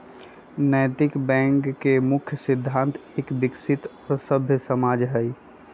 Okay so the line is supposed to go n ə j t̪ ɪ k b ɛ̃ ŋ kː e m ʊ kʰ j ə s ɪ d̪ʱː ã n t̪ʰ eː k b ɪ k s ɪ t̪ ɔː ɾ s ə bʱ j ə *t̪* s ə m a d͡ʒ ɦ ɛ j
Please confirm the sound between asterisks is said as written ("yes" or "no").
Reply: no